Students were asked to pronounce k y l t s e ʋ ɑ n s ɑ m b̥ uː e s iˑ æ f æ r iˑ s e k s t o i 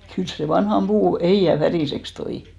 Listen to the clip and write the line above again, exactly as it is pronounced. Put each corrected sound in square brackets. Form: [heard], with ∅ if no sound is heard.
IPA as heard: k y l [s] s e ʋ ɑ n [h] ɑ m b̥ uː e [h] iˑ æ f æ r iˑ s e k s t o i